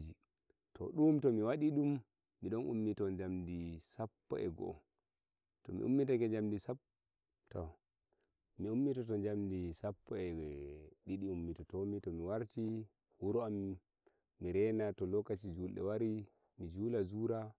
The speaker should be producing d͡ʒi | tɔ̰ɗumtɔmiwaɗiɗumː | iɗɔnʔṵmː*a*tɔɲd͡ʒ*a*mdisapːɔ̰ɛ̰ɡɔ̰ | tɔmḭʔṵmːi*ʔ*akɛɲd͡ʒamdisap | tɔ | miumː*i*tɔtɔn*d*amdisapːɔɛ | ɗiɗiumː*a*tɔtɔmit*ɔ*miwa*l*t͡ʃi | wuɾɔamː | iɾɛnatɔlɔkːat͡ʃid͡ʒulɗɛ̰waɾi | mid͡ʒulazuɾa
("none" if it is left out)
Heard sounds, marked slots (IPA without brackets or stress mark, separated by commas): i, a, t, i, d͡ʒ, i, ɔ, ɾ